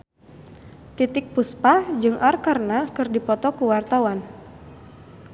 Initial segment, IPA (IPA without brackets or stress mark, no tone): t̪